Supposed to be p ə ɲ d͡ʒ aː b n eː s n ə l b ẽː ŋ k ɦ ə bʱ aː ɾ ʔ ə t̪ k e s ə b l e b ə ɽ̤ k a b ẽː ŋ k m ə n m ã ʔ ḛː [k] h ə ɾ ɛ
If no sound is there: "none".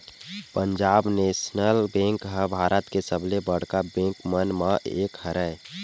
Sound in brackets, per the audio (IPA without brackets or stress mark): k